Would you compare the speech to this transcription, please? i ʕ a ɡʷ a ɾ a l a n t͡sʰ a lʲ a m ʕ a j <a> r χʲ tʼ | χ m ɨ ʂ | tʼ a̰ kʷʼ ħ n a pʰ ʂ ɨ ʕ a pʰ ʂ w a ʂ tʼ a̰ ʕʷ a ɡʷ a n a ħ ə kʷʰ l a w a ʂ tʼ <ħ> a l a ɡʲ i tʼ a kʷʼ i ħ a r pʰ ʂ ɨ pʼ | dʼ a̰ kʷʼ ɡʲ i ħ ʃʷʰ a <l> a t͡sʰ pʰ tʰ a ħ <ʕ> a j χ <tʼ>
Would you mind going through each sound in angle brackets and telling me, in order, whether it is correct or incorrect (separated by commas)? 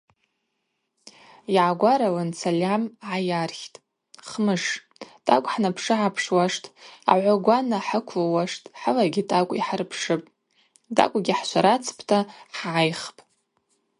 correct, correct, incorrect, correct, incorrect